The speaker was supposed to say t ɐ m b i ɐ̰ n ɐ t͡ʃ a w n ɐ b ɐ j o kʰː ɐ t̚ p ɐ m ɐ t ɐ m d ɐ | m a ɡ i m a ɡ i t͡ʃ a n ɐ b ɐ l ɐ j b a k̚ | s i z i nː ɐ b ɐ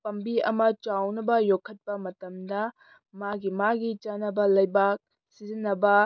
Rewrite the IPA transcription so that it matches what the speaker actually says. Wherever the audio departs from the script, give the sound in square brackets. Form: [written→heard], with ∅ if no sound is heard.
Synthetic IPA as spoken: [t→p] ɐ m b i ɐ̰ [n→m] ɐ t͡ʃ a w n ɐ b ɐ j o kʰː ɐ t̚ p ɐ m ɐ t ɐ m d ɐ | m a ɡ i m a ɡ i t͡ʃ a n ɐ b ɐ l ɐ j b a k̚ | s i z i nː ɐ b ɐ